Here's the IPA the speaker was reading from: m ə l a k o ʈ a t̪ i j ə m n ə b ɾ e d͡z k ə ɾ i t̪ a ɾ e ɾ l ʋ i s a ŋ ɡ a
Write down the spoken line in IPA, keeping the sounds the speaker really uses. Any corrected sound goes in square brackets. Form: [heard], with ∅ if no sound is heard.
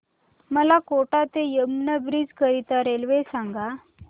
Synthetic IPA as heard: m ə l a k o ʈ a t̪ [e] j ə m n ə b ɾ [i] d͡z k ə ɾ i t̪ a ɾ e [∅] l ʋ [e] s a ŋ ɡ a